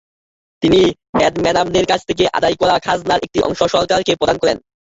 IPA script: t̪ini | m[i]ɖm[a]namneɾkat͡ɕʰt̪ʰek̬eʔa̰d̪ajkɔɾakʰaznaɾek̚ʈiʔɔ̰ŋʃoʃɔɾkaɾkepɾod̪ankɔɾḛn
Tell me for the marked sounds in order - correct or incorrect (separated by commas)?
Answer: incorrect, incorrect